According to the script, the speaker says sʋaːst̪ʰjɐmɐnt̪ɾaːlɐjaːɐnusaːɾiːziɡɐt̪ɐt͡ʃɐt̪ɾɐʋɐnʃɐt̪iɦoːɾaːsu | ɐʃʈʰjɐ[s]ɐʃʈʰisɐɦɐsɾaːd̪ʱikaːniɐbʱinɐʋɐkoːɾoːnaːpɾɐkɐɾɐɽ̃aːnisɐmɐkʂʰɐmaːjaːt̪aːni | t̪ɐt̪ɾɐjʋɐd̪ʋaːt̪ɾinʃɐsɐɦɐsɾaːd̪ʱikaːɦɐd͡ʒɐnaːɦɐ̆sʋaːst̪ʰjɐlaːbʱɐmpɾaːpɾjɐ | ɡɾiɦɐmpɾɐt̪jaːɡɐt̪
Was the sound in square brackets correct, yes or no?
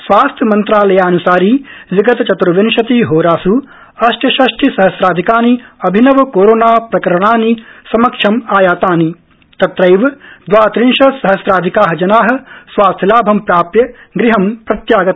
no